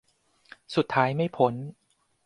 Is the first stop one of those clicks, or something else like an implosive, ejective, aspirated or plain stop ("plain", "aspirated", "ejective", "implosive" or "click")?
aspirated